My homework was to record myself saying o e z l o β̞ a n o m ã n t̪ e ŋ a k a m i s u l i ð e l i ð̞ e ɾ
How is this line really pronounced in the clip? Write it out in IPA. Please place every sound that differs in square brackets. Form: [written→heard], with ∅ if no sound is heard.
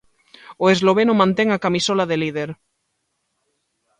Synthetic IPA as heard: o e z l o β̞ [a→e] n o m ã n t̪ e ŋ a k a m i s [u→o] l [i→a] ð e l i ð̞ e ɾ